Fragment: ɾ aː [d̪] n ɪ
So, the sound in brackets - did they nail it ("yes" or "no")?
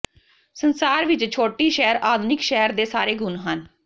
yes